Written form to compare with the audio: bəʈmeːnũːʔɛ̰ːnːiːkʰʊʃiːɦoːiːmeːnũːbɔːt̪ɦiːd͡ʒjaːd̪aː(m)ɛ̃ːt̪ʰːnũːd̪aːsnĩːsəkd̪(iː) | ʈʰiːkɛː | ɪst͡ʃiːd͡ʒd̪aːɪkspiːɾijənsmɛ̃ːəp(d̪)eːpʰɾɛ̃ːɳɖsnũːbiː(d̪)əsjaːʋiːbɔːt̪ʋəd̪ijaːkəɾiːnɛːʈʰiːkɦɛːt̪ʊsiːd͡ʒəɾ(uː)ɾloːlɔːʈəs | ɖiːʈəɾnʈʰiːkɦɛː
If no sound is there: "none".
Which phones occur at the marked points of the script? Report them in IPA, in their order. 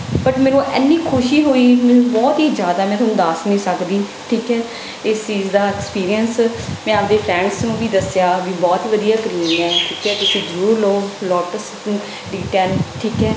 m, iː, d̪, d̪, uː

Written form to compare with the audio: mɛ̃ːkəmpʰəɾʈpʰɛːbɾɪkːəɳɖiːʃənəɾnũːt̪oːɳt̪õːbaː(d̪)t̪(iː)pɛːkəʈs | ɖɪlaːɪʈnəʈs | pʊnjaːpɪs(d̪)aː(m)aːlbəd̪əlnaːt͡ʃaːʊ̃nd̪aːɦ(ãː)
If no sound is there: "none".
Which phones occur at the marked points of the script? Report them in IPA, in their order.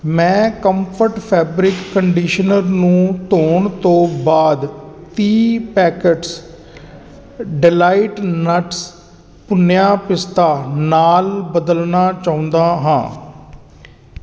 d̪, iː, t̪, n, ãː

